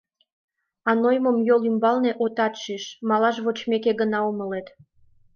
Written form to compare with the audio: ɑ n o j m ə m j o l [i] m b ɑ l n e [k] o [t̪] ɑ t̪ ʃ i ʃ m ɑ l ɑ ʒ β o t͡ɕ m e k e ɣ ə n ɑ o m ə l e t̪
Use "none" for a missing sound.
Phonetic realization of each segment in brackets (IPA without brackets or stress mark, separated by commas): y, ʔ, t̪